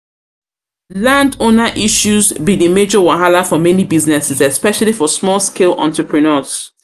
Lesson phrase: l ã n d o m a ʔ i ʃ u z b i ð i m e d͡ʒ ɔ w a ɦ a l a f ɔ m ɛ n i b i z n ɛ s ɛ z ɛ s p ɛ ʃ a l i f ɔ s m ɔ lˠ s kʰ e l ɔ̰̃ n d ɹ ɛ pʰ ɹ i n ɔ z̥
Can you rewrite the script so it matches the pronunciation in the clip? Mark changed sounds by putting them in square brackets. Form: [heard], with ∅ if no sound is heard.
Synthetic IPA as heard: l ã n d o [n] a ʔ i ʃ u z b i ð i m e d͡ʒ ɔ w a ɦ a l a f ɔ m ɛ n i b i z n ɛ s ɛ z ɛ s p ɛ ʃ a l i f ɔ s m ɔ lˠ s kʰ e l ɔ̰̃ n [t] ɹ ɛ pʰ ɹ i n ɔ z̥